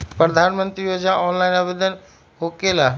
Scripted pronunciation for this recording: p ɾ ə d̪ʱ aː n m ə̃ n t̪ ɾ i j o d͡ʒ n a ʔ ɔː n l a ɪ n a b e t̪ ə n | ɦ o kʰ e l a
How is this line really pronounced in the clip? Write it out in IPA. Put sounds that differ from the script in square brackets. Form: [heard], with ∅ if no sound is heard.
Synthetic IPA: p ɾ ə d̪ʱ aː n m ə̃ n t̪ ɾ i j o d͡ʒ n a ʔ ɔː n l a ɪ n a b e [d̪] ə n | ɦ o [k] e l a